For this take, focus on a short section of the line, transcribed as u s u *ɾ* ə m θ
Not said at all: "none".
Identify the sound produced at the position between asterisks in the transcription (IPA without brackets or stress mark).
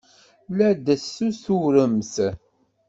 ɾ